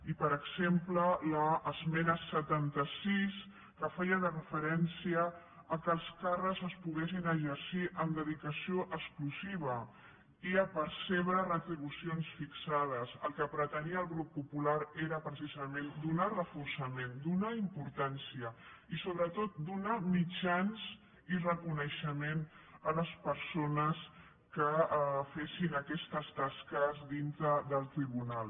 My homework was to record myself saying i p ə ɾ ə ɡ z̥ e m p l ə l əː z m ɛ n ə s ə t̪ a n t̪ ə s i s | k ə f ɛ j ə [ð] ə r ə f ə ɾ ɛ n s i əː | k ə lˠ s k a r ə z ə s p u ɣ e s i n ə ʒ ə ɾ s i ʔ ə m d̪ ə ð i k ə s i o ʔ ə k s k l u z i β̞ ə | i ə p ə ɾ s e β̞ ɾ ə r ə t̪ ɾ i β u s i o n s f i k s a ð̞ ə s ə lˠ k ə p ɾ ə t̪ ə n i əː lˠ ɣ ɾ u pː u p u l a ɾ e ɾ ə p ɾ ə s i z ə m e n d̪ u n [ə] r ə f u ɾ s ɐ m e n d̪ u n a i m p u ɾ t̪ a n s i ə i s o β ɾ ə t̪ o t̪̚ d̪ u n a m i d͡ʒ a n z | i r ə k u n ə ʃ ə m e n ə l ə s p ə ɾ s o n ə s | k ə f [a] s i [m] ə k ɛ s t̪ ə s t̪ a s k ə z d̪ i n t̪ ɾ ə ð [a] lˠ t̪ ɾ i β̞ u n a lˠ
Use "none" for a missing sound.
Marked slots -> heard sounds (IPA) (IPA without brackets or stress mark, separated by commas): ð, a, e, n, ə